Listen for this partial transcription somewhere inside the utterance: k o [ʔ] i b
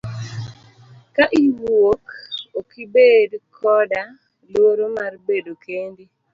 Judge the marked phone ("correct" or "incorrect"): incorrect